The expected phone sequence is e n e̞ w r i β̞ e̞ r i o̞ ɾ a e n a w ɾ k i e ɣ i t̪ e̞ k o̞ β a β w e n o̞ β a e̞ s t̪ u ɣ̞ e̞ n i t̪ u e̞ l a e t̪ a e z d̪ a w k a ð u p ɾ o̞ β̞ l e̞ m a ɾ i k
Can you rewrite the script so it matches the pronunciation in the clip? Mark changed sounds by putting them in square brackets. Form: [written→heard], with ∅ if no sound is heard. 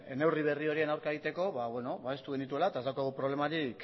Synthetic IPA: e n e̞ w r i β̞ e̞ r i o̞ ɾ [a→i] e n a w ɾ k [i→a] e ɣ i t̪ e̞ k o̞ β a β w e n o̞ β a e̞ s t̪ u ɣ̞ e̞ n i t̪ u e̞ l a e t̪ a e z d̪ a w k a [ð→ɣ] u p ɾ o̞ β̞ l e̞ m a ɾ i k